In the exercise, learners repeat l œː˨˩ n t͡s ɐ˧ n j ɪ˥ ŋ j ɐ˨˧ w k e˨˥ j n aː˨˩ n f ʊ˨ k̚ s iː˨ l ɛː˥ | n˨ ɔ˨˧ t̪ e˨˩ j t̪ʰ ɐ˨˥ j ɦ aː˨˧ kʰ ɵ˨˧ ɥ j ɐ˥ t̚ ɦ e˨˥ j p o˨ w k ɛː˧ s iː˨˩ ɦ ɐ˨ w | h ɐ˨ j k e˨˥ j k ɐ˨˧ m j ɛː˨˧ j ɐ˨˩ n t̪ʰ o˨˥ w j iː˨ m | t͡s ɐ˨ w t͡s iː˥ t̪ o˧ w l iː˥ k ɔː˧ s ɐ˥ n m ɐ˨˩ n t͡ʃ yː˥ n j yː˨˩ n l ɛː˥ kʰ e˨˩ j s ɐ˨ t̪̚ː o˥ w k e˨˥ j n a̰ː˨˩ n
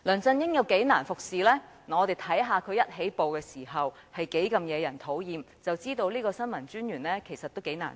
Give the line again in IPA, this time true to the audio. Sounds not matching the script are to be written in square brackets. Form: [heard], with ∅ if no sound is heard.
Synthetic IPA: l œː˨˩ n t͡s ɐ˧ n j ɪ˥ ŋ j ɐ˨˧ w k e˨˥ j n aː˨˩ n f ʊ˨ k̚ s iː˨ l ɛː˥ | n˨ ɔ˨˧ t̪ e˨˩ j t̪ʰ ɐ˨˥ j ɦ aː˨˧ kʰ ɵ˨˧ ɥ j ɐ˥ t̚ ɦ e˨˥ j p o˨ w k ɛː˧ s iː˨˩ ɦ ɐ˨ w | h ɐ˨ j k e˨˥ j k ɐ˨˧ m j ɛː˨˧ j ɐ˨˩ n t̪ʰ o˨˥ w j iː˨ m | t͡s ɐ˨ w t͡s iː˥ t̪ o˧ w l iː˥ k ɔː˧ s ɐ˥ n m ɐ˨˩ n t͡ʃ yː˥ n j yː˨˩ n l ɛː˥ kʰ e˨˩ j s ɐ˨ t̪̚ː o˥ w k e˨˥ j n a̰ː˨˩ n